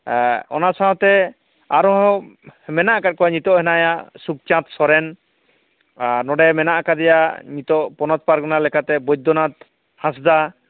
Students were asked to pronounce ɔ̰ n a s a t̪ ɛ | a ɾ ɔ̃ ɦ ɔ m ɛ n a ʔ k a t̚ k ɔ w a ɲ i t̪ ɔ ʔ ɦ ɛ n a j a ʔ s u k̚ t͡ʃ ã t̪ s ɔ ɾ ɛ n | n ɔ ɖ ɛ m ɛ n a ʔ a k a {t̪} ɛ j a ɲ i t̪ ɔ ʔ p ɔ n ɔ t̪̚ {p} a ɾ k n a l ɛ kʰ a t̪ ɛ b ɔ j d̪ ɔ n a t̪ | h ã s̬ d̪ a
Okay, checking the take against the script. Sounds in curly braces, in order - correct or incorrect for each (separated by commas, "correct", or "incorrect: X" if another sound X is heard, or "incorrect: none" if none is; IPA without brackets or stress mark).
incorrect: d̪, correct